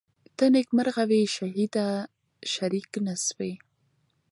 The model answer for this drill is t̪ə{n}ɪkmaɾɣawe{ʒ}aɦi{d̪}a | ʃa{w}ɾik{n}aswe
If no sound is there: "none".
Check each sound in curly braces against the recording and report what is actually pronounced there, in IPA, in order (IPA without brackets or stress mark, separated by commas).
n, ʃ, d̪, none, n